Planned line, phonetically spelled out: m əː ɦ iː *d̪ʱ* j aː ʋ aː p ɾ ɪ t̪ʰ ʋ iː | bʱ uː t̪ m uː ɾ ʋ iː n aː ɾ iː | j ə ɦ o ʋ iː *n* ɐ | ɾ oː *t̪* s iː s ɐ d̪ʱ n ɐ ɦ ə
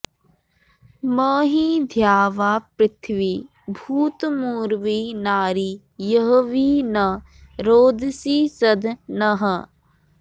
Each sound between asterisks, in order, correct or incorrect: correct, correct, incorrect: d̪

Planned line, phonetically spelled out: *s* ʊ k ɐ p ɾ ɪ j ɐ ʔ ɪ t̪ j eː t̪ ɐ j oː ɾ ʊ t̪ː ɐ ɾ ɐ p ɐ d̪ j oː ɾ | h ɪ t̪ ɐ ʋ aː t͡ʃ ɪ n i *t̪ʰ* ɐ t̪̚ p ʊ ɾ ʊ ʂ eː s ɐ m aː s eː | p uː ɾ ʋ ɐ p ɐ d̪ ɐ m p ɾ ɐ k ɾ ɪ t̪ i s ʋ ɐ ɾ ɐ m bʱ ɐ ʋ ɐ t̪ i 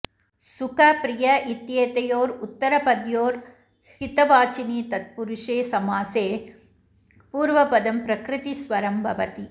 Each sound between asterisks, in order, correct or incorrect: correct, incorrect: t̪

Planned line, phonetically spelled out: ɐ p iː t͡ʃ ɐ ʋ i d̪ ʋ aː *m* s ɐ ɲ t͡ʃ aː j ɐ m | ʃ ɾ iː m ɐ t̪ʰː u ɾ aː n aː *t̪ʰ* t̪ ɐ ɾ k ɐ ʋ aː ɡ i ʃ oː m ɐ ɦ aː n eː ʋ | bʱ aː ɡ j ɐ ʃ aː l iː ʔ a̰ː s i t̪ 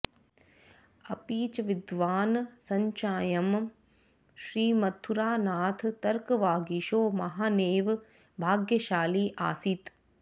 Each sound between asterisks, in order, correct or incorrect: incorrect: n, correct

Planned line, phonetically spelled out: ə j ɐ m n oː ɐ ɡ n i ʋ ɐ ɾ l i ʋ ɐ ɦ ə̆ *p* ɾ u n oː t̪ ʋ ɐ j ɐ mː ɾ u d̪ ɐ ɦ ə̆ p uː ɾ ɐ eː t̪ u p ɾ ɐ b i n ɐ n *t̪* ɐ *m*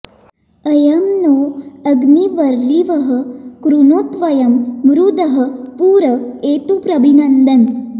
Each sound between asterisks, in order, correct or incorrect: incorrect: k, incorrect: d̪, incorrect: n

